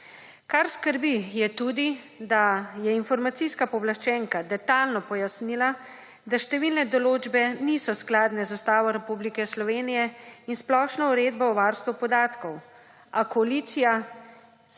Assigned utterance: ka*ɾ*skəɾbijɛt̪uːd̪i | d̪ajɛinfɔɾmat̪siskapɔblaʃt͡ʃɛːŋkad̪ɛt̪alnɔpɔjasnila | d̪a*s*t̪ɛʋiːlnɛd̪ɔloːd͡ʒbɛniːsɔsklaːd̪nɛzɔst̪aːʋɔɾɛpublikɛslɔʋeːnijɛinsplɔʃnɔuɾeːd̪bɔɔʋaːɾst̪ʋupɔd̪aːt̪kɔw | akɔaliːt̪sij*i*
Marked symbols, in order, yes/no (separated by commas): yes, no, no